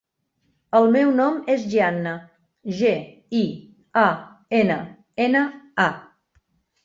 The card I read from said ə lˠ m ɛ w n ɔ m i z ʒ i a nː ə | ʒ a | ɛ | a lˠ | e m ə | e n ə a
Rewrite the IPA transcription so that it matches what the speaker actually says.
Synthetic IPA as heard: ə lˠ m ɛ w n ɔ m e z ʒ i a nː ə | ʒ e | i | a | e n ə | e n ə a